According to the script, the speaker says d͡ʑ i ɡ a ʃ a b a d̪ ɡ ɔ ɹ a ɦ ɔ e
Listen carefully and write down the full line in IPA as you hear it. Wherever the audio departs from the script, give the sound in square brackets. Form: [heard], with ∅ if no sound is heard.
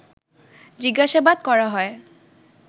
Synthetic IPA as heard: d͡ʑ i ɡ a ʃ a b a d̪ [k] ɔ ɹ a ɦ ɔ e